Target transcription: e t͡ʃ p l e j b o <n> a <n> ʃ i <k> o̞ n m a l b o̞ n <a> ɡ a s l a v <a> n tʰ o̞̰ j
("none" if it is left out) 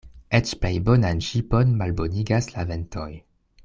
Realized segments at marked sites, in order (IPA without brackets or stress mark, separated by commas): n, n, p, i, e